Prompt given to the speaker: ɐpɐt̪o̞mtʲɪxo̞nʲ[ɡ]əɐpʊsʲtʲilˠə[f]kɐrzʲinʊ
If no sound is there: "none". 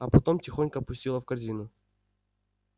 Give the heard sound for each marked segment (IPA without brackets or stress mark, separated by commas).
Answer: k, f